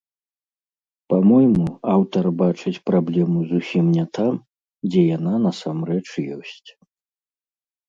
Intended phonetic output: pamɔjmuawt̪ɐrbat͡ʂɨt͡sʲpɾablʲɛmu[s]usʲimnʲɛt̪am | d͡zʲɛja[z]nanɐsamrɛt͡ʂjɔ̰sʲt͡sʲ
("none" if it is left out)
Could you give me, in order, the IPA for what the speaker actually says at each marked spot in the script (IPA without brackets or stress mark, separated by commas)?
z, none